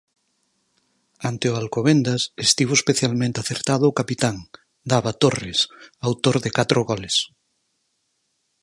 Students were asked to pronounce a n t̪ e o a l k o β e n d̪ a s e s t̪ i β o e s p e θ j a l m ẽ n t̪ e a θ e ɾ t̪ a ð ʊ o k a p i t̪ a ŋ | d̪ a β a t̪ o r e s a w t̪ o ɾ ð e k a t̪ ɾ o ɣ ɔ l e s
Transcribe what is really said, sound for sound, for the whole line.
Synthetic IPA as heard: a n t̪ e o a l k o β e n d̪ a s e s t̪ i β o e s p e θ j a l m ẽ n t̪ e a θ e ɾ t̪ a ð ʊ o k a p i t̪ a ŋ | d̪ a β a t̪ o r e s a w t̪ o ɾ ð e k a t̪ ɾ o ɣ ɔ l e s

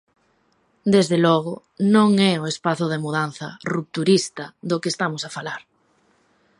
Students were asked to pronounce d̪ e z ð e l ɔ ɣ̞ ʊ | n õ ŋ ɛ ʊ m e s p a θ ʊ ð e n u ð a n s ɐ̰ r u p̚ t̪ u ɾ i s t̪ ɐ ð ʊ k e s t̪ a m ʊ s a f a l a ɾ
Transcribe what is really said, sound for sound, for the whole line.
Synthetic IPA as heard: d̪ e z ð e l ɔ ɣ̞ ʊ | n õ ŋ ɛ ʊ e s p a θ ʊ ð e m u ð a n θ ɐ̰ r u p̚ t̪ u ɾ i s t̪ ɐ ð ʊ k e s t̪ a m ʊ s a f a l a ɾ

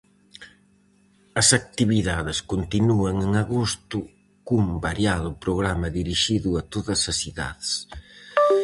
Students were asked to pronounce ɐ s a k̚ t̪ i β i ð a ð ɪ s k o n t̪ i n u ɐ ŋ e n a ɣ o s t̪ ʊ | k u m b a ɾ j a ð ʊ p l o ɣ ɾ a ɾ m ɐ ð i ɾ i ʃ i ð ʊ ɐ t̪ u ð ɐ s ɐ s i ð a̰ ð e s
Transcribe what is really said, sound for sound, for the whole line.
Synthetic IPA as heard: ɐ s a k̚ t̪ i β i ð a ð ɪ s k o n t̪ i n u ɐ ŋ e ŋ a ɣ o s t̪ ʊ | k u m b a ɾ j a ð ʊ p ɾ o ɣ ɾ a m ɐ ð i ɾ i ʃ i ð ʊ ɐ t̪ o ð ɐ s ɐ s i ð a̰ ð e s

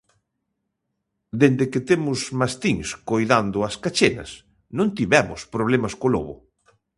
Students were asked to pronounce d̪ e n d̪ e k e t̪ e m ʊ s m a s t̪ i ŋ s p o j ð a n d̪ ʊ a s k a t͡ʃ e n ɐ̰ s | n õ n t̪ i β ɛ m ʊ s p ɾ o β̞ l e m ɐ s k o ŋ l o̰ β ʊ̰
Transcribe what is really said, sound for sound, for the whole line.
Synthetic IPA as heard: d̪ e n d̪ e k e t̪ e m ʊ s m a s t̪ i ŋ s k o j ð a n d̪ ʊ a s k a t͡ʃ e n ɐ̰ s | n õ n t̪ i β ɛ m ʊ s p ɾ o β̞ l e m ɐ s k o l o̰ β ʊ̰

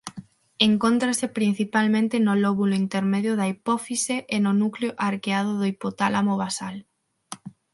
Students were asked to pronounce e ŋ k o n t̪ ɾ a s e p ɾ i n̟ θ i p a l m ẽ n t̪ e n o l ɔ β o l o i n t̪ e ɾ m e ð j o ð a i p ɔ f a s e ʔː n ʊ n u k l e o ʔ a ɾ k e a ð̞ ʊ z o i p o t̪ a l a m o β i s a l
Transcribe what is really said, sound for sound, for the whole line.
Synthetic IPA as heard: e ŋ k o n t̪ ɾ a s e p ɾ i n̟ θ i p a l m ẽ n t̪ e n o l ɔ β u l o i n t̪ e ɾ m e ð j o ð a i p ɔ f i s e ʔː n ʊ n u k l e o ʔ a ɾ k e a ð̞ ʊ ð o i p o t̪ a l a m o β a s a l

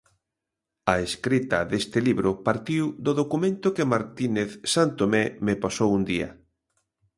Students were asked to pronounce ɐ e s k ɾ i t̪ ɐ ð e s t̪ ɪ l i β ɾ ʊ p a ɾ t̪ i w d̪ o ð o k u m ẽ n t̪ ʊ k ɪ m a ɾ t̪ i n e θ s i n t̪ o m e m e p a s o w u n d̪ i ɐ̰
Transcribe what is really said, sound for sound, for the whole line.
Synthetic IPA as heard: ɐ e s k ɾ i t̪ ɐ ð e s t̪ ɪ l i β ɾ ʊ p a ɾ t̪ i w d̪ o ð o k u m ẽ n t̪ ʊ k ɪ m a ɾ t̪ i n e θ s a n t̪ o m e m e p a s o w u n d̪ i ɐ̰

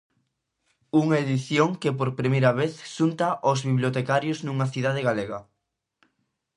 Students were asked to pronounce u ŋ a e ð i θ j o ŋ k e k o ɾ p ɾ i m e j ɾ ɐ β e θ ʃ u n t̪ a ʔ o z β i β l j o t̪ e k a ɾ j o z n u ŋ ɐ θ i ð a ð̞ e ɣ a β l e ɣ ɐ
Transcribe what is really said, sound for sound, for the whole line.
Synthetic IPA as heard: u ŋ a e ð i θ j o ŋ k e p o ɾ p ɾ i m e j ɾ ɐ β e θ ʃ u n t̪ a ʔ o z β i β l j o t̪ e k a ɾ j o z n u ŋ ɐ θ i ð a ð̞ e ɣ a l e ɣ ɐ

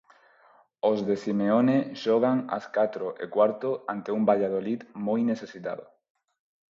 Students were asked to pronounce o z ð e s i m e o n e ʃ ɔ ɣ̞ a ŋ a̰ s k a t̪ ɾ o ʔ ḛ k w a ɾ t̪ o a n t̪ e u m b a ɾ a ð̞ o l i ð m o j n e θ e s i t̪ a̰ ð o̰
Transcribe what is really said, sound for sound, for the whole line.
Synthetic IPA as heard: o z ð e s i m e o n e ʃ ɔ ɣ̞ a ŋ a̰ s k a t̪ ɾ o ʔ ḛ k w a ɾ t̪ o a n t̪ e u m b a ʎ a ð̞ o l i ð m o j n e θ e s i t̪ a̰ ð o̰

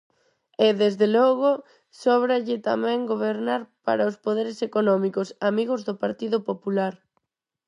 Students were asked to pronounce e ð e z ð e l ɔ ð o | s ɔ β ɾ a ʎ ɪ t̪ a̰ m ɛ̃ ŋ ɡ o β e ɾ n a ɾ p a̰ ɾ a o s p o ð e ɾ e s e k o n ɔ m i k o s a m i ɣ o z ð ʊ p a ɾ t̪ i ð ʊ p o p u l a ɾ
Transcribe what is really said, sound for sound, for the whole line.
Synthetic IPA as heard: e ð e z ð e l ɔ ɣ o | s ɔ β ɾ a ʎ ɪ t̪ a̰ m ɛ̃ ŋ ɡ o β e ɾ n a ɾ p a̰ ɾ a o s p o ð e ɾ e s e k o n ɔ m i k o s a m i ɣ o z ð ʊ p a ɾ t̪ i ð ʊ p o p u l a ɾ

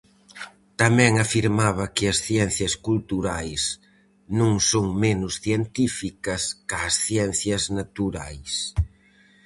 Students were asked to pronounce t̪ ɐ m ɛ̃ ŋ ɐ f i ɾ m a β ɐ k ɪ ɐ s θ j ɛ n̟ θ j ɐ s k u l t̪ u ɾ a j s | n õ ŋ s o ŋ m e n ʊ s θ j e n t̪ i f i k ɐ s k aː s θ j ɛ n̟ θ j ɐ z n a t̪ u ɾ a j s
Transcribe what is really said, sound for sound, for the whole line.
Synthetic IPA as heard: t̪ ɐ m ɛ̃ ŋ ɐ f i ɾ m a β ɐ k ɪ ɐ s θ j ɛ n̟ θ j ɐ s k u l t̪ u ɾ a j s | n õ ŋ s o ŋ m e n ʊ s θ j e n t̪ i f i k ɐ s k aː s θ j ɛ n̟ θ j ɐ z n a t̪ u ɾ a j s

